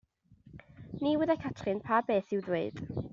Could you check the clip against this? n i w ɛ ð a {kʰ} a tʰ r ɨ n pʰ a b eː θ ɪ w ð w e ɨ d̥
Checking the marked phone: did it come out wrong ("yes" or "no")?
no